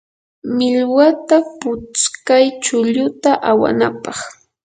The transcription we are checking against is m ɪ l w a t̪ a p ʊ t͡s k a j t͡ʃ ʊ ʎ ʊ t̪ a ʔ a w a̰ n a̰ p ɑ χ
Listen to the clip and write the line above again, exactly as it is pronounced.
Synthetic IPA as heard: m ɪ l w a t̪ a p ʊ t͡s k a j t͡ʃ ʊ ʎ ʊ t̪ a ʔ a w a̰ n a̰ p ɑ χ